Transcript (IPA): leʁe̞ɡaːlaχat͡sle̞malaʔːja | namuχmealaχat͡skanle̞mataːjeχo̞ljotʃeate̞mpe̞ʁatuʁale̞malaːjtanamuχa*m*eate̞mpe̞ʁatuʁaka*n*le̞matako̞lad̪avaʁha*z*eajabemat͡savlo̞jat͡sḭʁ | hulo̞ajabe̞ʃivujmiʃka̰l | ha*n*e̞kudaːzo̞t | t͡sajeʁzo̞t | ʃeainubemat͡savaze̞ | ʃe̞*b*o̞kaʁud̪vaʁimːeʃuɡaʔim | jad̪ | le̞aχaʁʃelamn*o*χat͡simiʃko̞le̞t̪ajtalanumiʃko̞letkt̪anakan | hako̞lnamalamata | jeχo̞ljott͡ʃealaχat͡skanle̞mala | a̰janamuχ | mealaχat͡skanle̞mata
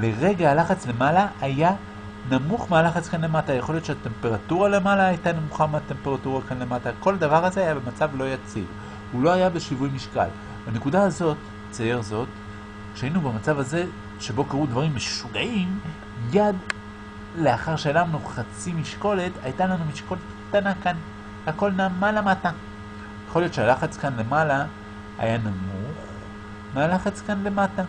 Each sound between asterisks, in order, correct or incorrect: correct, correct, correct, correct, correct, incorrect: u

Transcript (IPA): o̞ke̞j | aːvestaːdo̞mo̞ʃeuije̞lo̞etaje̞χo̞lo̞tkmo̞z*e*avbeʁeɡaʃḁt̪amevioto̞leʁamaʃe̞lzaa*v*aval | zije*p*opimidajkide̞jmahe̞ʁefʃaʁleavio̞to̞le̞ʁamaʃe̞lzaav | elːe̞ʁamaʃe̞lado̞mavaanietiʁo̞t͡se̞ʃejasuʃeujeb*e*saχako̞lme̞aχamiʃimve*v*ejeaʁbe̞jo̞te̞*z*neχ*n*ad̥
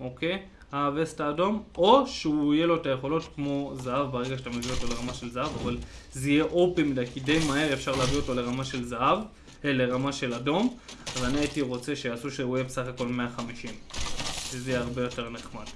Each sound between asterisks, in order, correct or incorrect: incorrect: a, correct, incorrect: ʔ, correct, incorrect: z, incorrect: ʁ, incorrect: m

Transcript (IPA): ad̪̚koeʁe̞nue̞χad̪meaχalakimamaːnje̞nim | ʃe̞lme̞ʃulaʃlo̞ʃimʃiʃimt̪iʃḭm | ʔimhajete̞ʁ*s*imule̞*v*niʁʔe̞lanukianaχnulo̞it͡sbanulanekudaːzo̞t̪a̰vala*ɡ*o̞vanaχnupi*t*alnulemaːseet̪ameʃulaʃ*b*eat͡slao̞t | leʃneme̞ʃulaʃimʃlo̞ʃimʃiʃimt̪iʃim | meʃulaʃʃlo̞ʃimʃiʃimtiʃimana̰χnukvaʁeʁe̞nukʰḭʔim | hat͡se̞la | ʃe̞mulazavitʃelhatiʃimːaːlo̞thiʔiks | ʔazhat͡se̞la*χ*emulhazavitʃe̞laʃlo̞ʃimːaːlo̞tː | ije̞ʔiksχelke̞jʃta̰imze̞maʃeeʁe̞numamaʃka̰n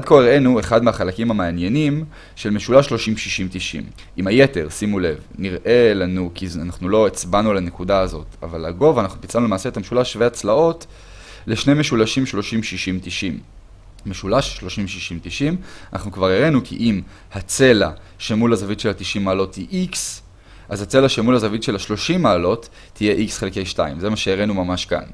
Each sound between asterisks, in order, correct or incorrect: correct, correct, correct, incorrect: t͡s, incorrect: v, incorrect: ʃ

